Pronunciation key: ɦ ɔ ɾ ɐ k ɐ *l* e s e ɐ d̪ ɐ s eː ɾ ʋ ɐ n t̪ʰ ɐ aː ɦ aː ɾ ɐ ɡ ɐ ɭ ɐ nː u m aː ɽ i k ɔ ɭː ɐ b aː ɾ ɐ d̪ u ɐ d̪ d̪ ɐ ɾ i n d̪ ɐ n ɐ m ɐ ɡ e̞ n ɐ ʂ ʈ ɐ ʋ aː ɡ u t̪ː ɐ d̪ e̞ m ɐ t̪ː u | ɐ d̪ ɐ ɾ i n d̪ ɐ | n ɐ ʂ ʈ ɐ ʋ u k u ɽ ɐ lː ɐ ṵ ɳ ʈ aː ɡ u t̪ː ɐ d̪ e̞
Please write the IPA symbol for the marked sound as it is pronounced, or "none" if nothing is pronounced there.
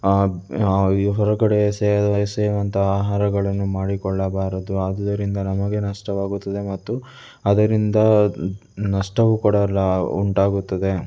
ɽ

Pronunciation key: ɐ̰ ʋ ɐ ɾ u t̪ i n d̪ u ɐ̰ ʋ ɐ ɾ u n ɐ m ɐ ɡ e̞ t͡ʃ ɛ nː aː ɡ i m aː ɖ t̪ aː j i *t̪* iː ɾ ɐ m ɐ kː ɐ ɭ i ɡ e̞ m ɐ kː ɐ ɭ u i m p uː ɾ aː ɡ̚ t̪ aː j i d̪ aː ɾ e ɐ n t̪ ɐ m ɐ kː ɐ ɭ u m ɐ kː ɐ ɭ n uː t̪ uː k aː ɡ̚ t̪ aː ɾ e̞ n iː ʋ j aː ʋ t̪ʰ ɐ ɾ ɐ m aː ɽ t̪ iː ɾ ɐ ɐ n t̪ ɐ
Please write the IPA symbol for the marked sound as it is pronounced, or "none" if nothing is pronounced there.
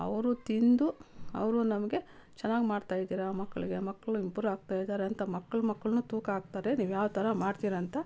d̪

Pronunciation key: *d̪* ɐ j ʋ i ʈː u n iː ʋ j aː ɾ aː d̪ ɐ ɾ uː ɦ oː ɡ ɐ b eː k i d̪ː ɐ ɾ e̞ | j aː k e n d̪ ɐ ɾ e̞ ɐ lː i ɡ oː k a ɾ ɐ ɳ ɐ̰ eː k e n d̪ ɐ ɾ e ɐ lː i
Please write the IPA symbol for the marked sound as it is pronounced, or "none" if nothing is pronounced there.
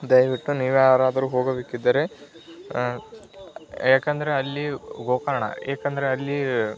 d̪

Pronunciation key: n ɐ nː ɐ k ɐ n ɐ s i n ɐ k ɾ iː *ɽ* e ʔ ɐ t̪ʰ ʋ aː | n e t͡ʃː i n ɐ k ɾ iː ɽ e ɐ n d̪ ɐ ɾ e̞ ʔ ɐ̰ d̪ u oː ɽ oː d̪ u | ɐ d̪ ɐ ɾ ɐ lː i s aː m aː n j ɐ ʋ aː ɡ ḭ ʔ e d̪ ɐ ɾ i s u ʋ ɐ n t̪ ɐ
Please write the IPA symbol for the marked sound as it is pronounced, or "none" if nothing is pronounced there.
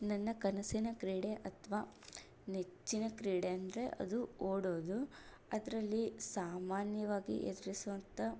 ɽ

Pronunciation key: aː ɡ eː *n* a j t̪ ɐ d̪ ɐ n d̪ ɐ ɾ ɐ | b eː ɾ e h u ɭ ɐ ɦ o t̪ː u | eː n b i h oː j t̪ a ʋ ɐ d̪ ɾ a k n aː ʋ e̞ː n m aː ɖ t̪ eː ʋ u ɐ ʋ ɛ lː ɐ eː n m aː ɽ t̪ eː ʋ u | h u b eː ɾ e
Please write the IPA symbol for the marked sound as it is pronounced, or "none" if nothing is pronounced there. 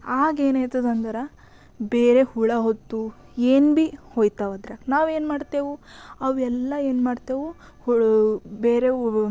n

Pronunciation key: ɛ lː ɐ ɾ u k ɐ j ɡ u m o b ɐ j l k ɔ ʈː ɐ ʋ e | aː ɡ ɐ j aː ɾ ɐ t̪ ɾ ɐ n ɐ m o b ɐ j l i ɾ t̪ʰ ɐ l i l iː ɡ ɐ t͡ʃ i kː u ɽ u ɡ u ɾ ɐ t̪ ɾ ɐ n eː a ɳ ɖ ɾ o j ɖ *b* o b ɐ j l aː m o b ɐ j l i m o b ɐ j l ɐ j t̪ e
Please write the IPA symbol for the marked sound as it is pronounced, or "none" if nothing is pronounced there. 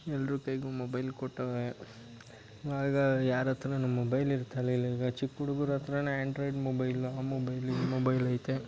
m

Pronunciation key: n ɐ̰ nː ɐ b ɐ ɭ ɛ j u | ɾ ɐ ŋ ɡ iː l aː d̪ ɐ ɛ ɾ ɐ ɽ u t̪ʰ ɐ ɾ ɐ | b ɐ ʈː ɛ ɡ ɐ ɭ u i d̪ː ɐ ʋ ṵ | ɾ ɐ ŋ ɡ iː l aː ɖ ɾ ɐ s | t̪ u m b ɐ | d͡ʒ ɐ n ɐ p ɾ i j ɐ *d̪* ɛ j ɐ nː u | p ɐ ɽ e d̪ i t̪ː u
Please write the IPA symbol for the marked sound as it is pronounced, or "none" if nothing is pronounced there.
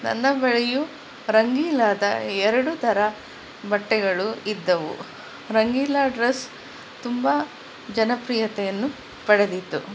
t̪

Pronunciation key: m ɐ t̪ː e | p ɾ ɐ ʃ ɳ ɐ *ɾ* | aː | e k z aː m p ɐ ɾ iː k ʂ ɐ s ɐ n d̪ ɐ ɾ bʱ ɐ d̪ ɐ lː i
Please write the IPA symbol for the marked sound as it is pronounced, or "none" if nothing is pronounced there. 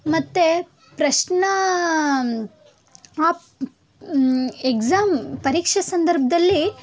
none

